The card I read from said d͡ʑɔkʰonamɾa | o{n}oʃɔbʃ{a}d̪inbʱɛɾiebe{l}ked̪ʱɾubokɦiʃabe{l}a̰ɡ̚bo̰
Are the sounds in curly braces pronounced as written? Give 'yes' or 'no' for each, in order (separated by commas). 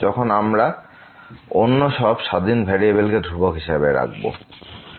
no, yes, yes, no